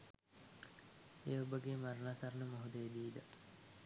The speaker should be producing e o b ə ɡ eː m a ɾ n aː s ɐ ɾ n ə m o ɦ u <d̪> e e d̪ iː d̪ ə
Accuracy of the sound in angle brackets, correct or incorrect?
correct